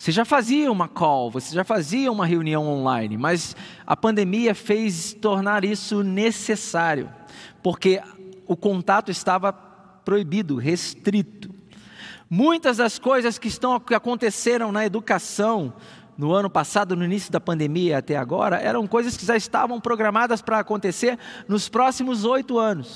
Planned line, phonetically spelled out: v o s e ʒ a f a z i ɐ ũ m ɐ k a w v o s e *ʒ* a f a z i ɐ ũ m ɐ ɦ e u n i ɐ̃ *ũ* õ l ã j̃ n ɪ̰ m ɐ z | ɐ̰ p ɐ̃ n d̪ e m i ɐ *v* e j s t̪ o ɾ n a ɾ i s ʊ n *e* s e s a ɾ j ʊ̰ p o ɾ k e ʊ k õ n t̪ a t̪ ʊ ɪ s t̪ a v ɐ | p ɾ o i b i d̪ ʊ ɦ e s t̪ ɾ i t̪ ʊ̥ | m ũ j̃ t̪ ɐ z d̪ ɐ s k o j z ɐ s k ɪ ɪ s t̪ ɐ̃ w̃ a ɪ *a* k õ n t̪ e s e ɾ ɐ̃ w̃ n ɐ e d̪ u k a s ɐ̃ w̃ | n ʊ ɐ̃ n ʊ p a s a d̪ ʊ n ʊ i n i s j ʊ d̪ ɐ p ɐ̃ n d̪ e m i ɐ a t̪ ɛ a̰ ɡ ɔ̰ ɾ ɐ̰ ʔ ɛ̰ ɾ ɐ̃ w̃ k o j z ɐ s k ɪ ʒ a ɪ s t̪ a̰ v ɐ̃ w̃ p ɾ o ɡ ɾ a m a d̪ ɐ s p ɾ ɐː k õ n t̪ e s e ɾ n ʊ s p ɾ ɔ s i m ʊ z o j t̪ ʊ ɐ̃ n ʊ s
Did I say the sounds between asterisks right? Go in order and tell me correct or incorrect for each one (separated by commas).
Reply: correct, incorrect, incorrect, correct, correct